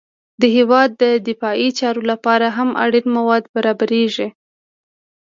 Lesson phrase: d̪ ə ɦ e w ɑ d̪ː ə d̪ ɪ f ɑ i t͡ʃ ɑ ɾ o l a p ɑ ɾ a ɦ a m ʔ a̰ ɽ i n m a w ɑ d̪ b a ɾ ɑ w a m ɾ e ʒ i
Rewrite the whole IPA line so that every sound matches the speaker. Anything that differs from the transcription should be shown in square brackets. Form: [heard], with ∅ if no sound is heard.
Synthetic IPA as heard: d̪ ə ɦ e w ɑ d̪ː ə d̪ ɪ f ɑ i t͡ʃ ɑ ɾ o l a p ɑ ɾ a ɦ a m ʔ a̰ ɽ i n m a w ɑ d̪ b a ɾ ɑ [b] a [∅] ɾ e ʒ i